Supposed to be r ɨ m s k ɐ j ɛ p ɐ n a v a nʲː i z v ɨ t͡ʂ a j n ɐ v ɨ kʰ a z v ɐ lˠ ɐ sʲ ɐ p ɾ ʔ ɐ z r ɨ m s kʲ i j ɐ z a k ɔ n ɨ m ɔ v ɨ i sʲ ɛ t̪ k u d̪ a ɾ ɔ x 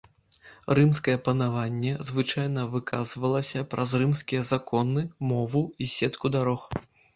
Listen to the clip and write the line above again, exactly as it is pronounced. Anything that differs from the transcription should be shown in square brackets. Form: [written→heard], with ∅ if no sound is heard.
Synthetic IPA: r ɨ m s k ɐ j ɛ p ɐ n a v a nʲː [i→ɛ] z v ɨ t͡ʂ a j n ɐ v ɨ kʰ a z v ɐ lˠ ɐ sʲ ɐ p ɾ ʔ ɐ z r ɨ m s kʲ i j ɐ z a k ɔ n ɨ m ɔ v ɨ i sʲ ɛ t̪ k u d̪ a ɾ ɔ x